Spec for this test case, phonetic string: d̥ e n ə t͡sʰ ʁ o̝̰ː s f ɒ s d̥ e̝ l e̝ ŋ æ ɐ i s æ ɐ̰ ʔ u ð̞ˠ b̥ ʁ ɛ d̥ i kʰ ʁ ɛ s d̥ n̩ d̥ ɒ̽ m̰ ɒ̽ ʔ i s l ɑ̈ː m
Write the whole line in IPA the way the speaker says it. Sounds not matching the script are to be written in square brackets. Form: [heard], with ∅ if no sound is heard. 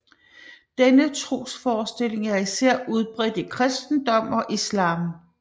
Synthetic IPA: d̥ e n ə t͡sʰ ʁ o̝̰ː s f [ɒː] s d̥ e̝ l e̝ ŋ æ ɐ i s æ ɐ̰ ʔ u ð̞ˠ b̥ ʁ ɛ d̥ i kʰ ʁ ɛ s d̥ n̩ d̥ ɒ̽ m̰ ɒ̽ ʔ i s l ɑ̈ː m

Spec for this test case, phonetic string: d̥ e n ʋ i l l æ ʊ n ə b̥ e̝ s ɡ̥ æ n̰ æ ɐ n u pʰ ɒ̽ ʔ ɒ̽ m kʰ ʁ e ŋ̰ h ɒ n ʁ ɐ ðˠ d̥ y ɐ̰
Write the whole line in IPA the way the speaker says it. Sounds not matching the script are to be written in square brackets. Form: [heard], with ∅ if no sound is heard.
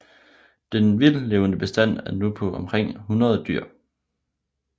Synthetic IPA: d̥ e n ʋ i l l [e] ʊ n ə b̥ e̝ s [d̥] æ n̰ æ ɐ n u pʰ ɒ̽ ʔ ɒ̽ m kʰ ʁ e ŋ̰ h [u] n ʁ ɐ ðˠ d̥ y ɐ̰

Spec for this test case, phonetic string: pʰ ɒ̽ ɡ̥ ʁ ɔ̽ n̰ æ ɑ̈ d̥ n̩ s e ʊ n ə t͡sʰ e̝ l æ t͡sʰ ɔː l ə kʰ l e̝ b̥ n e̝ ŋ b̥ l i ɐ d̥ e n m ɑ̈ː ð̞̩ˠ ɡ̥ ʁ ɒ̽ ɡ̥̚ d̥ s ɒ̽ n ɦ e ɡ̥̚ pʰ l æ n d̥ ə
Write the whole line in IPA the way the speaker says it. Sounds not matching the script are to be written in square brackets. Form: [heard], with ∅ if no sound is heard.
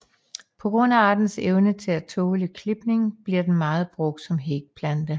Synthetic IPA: pʰ ɒ̽ ɡ̥ ʁ ɔ̽ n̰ æ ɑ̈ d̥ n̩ s e ʊ n ə t͡sʰ e̝ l æ t͡sʰ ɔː l ə kʰ l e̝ b̥ n e̝ ŋ b̥ l i ɐ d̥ e n m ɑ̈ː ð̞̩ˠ [b̥] ʁ [ɔ̽] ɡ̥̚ d̥ s ɒ̽ [m] ɦ e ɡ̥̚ pʰ l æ n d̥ ə

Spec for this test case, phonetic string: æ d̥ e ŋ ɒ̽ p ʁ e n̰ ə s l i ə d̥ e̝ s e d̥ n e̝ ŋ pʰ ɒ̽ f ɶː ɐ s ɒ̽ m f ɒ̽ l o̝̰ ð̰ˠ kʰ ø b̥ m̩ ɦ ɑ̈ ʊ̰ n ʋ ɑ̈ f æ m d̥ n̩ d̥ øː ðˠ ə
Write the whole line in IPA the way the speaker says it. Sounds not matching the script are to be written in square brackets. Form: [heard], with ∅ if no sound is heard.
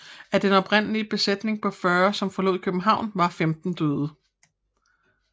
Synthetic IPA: æ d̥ e [n] ɒ̽ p ʁ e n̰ ə [∅] l i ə [b̥] e̝ s e d̥ n e̝ ŋ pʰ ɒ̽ f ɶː ɐ s ɒ̽ m f ɒ̽ l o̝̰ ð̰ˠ kʰ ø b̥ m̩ ɦ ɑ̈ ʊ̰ n ʋ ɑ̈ f [e] m d̥ n̩ d̥ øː ðˠ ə

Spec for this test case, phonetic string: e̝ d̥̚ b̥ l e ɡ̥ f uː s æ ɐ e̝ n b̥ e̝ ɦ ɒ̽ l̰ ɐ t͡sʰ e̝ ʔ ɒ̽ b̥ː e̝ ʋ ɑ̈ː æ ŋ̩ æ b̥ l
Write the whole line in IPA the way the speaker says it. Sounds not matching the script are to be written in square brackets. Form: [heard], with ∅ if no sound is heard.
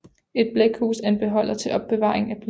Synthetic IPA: e̝ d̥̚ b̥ l e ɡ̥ [h] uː s æ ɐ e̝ n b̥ e̝ ɦ ɒ̽ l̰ ɐ t͡sʰ e̝ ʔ ɒ̽ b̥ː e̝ ʋ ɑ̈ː [e] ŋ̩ æ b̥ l

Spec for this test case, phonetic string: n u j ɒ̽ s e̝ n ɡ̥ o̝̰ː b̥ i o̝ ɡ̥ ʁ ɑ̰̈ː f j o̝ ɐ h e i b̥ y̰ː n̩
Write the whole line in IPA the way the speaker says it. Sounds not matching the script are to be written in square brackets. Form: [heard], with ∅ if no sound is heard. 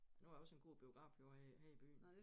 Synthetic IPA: n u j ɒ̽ s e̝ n ɡ̥ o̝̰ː b̥ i o̝ ɡ̥ ʁ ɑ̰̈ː f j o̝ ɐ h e i b̥ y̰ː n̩

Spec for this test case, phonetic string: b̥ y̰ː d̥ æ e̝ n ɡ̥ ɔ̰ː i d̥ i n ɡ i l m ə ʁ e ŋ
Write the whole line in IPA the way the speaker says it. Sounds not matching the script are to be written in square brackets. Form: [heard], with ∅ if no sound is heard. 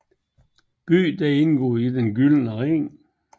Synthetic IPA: b̥ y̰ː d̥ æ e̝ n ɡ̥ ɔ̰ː i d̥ [e] n ɡ [y] l [n] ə ʁ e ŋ

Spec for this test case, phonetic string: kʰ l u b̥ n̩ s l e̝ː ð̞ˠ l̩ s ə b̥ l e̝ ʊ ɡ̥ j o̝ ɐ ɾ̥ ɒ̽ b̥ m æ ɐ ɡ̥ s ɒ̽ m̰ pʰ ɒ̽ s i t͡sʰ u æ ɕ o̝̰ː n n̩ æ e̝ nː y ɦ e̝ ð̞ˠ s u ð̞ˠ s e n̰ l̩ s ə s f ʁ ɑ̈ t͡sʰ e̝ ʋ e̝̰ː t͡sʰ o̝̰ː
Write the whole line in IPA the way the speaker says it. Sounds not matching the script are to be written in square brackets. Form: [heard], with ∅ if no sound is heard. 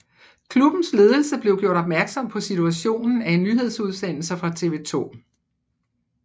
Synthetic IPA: kʰ l u b̥ n̩ s l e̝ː ð̞ˠ l̩ s ə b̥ l e̝ ʊ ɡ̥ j o̝ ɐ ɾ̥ ɒ̽ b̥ m æ ɐ ɡ̥ s ɒ̽ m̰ pʰ ɒ̽ s i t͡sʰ u æ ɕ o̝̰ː n n̩ æ e̝ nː y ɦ e̝ ð̞ˠ s u ð̞ˠ s e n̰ l̩ s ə [∅] f ʁ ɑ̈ t͡sʰ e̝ ʋ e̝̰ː t͡sʰ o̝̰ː

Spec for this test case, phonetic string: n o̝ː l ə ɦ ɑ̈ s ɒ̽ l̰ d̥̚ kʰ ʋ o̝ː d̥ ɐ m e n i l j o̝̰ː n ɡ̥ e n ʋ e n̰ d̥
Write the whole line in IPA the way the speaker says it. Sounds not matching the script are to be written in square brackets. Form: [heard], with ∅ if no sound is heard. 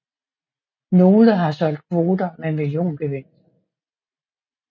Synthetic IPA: n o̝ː l ə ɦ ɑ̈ s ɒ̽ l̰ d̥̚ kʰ ʋ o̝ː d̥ ɐ m e [m] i l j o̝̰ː n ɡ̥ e [∅] ʋ e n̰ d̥

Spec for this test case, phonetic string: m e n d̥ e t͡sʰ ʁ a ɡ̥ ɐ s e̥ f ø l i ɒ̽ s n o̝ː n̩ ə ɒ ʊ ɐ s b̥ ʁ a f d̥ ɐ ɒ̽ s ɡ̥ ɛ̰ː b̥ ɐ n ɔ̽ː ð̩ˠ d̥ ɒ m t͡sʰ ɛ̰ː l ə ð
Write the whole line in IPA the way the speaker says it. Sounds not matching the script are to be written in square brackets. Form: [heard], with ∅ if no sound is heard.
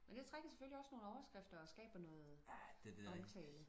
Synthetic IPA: m e n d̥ e t͡sʰ ʁ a ɡ̥ ɐ s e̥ f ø l i ɒ̽ s n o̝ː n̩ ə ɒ ʊ ɐ s [ɡ̥] ʁ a f d̥ ɐ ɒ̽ s ɡ̥ ɛ̰ː b̥ ɐ n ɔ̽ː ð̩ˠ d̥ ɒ m t͡sʰ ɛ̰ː l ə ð

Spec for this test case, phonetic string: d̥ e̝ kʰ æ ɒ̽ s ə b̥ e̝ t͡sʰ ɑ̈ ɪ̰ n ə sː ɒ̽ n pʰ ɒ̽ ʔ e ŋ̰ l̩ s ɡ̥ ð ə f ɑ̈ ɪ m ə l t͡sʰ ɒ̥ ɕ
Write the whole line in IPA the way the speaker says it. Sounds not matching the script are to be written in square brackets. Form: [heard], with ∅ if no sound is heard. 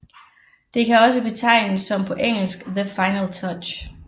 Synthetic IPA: d̥ e̝ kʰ æ ɒ̽ s ə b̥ e̝ t͡sʰ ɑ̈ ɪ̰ n ə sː ɒ̽ [m] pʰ ɒ̽ ʔ e ŋ̰ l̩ s ɡ̥ ð ə f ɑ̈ ɪ [n] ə l t͡sʰ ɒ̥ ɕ

